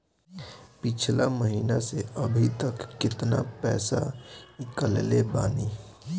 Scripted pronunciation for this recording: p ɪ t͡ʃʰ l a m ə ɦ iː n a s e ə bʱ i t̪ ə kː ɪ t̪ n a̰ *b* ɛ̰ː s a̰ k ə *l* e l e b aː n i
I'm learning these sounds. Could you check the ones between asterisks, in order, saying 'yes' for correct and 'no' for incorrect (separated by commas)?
no, yes